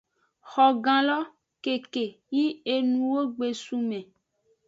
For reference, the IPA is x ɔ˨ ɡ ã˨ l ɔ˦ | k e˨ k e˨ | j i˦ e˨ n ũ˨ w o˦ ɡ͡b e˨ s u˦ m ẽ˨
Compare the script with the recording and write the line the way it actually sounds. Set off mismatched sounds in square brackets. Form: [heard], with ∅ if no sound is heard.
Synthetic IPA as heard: x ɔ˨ ɡ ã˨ l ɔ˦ | k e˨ k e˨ | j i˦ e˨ n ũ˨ w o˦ ɡ͡b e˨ s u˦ m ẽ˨